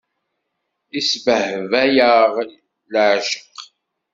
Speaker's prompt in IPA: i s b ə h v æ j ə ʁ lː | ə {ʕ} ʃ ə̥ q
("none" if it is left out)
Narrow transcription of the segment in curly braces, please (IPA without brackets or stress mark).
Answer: ʕ